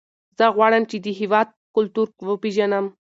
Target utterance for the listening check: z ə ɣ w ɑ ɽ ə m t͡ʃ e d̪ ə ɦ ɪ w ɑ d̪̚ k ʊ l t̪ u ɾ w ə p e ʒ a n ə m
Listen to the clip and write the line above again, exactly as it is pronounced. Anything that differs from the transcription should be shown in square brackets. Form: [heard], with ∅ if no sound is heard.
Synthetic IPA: z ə ɣ w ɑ ɽ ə m t͡ʃ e d̪ ə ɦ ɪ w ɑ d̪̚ k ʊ l t̪ u ɾ w ə p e ʒ a n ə m